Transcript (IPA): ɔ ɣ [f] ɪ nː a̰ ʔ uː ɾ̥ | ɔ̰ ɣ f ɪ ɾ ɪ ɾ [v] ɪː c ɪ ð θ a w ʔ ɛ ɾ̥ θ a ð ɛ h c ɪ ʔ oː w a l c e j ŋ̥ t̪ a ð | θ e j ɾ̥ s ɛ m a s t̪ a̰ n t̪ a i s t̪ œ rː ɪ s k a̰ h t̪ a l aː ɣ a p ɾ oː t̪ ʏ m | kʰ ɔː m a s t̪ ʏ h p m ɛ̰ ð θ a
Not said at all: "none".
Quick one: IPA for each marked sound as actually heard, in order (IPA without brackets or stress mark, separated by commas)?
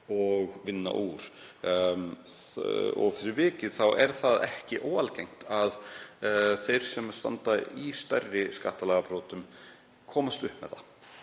v, v